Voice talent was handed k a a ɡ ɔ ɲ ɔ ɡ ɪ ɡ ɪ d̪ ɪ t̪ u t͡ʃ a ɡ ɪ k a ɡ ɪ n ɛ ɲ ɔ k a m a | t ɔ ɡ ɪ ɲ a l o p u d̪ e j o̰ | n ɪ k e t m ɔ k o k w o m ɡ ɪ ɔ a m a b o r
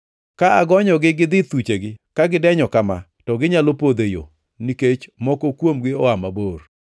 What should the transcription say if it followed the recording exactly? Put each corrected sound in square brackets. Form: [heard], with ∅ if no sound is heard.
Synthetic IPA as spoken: k a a ɡ ɔ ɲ ɔ ɡ ɪ ɡ ɪ d̪ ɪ t̪ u t͡ʃ [e] ɡ ɪ k a ɡ ɪ [d] ɛ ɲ ɔ k a m a | t ɔ ɡ ɪ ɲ a l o p [o] d̪ e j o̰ | n [i] k e [t͡ʃ] m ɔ k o k w o m ɡ ɪ ɔ a m a b o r